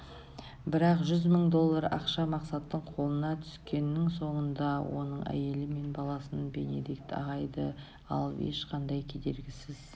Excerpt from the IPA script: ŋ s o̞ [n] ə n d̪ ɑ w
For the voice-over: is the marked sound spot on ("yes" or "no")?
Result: no